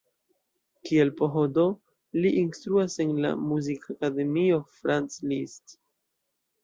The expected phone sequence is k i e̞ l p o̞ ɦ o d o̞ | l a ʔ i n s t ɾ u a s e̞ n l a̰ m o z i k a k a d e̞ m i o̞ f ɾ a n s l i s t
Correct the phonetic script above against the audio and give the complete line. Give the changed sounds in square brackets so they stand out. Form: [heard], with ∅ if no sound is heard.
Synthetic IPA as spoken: k i e̞ l p o̞ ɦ o d o̞ | l [i] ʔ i n s t ɾ u a s e̞ n l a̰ m [u] z i k a k a d e̞ m i o̞ f ɾ a n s l i s t